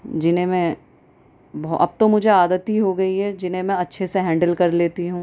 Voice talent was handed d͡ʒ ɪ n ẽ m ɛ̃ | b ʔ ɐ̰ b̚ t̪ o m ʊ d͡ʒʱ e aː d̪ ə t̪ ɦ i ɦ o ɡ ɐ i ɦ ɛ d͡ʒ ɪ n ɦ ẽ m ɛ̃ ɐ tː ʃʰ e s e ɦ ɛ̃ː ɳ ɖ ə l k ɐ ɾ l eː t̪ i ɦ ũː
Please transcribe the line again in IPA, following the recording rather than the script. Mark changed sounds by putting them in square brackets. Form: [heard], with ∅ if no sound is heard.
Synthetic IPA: d͡ʒ ɪ n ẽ m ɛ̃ | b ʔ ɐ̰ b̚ t̪ o m ʊ d͡ʒʱ e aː d̪ ə t̪ ɦ i ɦ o ɡ ɐ i ɦ ɛ d͡ʒ ɪ n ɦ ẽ m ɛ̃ ɐ tː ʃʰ e s e ɦ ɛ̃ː ɳ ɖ ə l k ɐ ɾ l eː t̪ i ɦ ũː